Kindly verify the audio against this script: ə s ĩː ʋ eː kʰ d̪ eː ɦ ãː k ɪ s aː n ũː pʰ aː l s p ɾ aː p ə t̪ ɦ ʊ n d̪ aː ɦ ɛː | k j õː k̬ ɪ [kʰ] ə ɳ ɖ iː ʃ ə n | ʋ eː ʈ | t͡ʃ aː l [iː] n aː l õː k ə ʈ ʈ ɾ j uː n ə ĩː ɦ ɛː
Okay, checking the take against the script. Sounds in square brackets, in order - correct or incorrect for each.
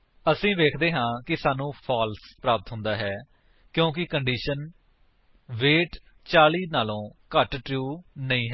incorrect: k, correct

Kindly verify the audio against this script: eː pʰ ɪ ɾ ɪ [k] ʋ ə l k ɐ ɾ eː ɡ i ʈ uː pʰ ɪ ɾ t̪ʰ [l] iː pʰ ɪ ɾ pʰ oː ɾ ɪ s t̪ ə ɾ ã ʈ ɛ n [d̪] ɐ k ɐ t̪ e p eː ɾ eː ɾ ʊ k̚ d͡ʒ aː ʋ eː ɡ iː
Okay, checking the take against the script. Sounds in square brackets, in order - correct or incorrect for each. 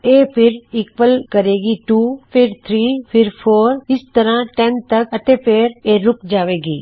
correct, incorrect: ɾ, incorrect: t̪

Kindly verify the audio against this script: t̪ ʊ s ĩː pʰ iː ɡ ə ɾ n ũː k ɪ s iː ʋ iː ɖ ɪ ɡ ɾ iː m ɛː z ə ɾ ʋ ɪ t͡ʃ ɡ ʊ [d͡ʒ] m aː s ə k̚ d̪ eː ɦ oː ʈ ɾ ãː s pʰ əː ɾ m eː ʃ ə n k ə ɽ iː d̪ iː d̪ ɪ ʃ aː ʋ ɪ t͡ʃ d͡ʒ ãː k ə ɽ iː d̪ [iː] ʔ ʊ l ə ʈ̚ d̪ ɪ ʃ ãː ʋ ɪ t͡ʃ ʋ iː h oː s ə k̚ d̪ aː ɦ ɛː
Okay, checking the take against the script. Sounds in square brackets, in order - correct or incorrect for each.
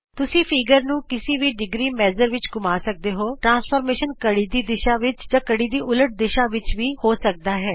incorrect: none, correct

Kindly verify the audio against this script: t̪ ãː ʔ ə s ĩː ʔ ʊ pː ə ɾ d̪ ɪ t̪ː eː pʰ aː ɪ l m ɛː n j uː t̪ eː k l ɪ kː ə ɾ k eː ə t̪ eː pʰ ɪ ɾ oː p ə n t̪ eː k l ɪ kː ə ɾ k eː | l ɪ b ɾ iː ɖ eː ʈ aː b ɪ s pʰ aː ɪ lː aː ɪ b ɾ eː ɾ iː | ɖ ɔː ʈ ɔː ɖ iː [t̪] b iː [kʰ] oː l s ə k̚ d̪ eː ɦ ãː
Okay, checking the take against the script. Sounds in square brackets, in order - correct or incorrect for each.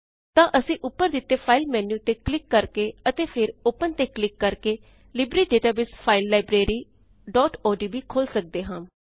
incorrect: none, correct

